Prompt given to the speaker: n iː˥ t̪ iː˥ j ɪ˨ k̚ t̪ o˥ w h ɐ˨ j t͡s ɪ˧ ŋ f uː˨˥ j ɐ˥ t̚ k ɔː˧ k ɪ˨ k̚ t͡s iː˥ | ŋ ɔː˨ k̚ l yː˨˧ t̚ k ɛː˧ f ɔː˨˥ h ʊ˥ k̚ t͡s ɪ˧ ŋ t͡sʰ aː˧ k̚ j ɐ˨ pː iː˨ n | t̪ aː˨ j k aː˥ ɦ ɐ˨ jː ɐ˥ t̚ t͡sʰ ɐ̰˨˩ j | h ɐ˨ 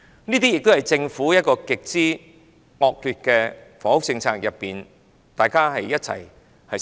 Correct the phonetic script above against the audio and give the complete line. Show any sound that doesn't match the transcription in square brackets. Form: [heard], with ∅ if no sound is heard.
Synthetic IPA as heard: n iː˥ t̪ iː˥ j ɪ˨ k̚ t̪ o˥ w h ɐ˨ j t͡s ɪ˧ ŋ f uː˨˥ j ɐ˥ t̚ k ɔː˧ k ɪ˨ k̚ t͡s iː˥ | ŋ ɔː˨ k̚ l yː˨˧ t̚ k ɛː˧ f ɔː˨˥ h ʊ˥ k̚ t͡s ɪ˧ ŋ t͡sʰ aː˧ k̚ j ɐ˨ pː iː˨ n | t̪ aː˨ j k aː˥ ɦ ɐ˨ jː ɐ˥ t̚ t͡sʰ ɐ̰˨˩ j | h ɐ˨